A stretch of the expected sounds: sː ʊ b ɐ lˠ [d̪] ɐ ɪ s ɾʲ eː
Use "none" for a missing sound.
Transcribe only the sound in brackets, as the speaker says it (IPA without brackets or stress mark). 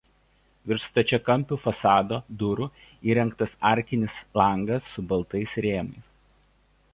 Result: t̪